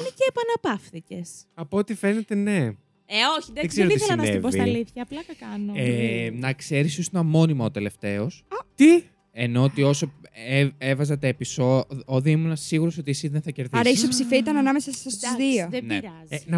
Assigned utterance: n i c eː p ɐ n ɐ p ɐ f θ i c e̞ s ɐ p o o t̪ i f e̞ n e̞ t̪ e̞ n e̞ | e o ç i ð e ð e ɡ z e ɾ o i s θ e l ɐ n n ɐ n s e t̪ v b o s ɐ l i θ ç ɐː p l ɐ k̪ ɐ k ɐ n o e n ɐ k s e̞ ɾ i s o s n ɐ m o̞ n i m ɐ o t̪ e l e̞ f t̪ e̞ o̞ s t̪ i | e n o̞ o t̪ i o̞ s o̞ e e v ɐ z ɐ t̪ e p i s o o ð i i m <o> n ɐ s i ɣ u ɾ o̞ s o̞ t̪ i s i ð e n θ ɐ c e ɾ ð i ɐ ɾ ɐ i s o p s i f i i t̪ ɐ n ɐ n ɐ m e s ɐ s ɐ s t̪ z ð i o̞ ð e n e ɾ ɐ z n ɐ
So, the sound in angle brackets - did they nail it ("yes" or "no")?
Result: no